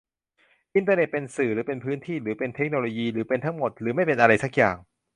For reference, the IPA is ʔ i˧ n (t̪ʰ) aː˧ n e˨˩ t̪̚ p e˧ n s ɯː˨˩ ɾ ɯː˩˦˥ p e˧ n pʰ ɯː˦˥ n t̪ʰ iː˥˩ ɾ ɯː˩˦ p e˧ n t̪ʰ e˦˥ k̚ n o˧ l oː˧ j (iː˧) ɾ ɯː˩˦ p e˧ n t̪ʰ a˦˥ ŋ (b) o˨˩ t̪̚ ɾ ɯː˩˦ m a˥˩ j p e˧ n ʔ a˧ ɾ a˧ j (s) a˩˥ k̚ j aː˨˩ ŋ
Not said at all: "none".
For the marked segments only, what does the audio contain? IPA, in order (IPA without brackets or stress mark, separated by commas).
t̪, iː˧, m, s